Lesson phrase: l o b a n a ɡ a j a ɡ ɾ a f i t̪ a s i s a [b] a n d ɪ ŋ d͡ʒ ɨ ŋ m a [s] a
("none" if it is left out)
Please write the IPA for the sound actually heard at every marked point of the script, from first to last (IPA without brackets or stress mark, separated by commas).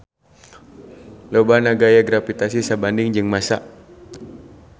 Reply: b, s